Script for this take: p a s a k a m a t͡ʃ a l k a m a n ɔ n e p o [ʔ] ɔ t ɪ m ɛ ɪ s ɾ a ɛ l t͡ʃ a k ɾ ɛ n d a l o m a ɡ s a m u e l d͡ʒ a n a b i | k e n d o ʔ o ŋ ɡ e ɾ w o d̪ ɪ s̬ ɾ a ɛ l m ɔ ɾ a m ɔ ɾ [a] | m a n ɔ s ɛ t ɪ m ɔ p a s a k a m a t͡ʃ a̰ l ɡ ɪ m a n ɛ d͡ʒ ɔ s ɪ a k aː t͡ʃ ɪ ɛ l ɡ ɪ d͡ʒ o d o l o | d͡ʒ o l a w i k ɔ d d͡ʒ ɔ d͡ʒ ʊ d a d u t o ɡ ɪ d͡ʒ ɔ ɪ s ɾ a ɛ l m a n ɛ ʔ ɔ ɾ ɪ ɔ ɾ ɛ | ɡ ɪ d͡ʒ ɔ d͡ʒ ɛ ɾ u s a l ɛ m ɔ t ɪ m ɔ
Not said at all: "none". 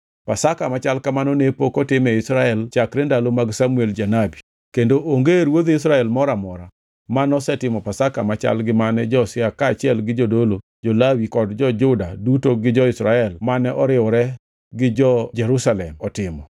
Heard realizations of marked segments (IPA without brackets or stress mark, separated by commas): k, a